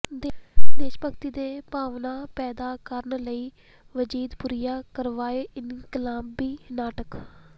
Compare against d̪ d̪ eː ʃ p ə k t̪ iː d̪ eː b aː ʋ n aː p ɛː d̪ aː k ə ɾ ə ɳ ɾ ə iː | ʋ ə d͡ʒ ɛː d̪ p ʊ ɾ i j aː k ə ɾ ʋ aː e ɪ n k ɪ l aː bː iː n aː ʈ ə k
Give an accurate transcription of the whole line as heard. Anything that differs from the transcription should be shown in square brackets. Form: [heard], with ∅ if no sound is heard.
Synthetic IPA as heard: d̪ d̪ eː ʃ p ə k t̪ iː d̪ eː [p] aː ʋ n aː p ɛː d̪ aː k ə ɾ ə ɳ [l] ə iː | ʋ ə d͡ʒ [iː] d̪ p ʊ ɾ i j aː k ə ɾ ʋ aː e ɪ n k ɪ l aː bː iː n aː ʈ ə k

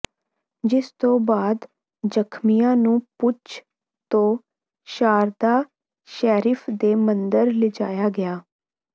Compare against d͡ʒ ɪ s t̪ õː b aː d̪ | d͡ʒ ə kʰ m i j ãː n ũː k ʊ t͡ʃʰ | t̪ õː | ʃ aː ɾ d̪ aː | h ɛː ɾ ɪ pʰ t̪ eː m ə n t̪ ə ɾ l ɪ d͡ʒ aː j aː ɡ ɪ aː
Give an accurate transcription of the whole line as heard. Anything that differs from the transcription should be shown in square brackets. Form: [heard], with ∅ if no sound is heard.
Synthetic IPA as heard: d͡ʒ ɪ s t̪ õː b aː d̪ | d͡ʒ ə kʰ m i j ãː n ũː [p] ʊ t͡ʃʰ | t̪ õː | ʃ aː ɾ d̪ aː | [ʃ] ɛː ɾ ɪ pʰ [d̪] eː m ə n [d̪] ə ɾ l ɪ d͡ʒ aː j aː ɡ ɪ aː

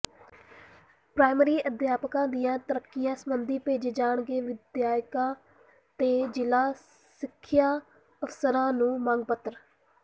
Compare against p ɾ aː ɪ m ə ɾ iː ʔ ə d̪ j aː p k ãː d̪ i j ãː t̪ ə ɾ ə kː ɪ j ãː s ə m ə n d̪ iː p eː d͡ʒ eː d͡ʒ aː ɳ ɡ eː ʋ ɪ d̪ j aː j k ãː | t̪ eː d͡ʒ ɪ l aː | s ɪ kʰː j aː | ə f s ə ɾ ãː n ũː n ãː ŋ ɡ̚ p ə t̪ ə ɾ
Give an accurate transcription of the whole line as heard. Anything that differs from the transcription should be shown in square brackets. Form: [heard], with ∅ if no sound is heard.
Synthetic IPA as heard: p ɾ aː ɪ m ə ɾ iː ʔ ə d̪ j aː p k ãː d̪ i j ãː t̪ ə ɾ ə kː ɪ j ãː s ə m ə n d̪ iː p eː d͡ʒ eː d͡ʒ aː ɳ ɡ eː ʋ ɪ d̪ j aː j k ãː | t̪ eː d͡ʒ ɪ l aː | s ɪ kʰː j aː | ə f s ə ɾ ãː n ũː [m] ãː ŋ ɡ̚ p ə t̪ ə ɾ

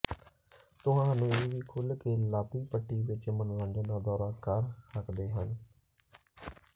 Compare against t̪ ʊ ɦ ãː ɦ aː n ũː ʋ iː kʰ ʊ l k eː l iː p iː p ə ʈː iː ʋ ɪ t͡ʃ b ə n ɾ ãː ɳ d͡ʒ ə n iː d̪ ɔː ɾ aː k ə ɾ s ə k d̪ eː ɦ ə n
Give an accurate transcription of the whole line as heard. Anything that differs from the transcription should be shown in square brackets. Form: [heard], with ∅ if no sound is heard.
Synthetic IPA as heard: t̪ ʊ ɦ ãː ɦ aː n ũː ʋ iː kʰ ʊ l k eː l [aː] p iː p ə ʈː iː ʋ ɪ t͡ʃ [m] ə n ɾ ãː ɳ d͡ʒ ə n [aː] d̪ ɔː ɾ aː k ə ɾ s ə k d̪ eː ɦ ə n

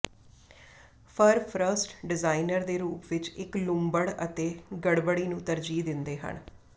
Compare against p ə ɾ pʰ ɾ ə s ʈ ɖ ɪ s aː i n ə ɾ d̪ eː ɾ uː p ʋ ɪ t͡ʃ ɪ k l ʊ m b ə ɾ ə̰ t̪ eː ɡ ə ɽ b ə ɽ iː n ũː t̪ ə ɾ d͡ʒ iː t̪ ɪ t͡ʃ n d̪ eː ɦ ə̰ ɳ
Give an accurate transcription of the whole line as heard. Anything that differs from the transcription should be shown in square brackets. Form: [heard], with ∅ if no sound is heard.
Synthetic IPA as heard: [pʰ] ə ɾ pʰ ɾ ə s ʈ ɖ ɪ [z] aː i n ə ɾ d̪ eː ɾ uː p ʋ ɪ t͡ʃ ɪ k l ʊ m b ə [ɽ] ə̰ t̪ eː ɡ ə ɽ b ə ɽ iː n ũː t̪ ə ɾ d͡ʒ iː [d̪] ɪ [∅] n d̪ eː ɦ ə̰ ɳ

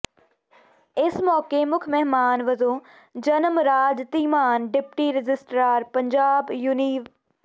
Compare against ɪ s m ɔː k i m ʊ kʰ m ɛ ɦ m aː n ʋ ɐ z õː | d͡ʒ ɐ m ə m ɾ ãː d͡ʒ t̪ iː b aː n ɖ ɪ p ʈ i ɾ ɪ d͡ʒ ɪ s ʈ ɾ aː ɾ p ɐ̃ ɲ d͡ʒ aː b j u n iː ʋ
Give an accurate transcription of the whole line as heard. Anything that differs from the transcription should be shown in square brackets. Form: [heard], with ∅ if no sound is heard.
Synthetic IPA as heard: ɪ s m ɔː k [e] m ʊ kʰ m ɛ ɦ m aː n ʋ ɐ z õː | d͡ʒ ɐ [n] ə m ɾ [aː] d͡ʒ t̪ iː [m] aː n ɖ ɪ p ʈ i ɾ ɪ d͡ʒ ɪ s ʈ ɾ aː ɾ p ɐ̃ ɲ d͡ʒ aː b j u n iː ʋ

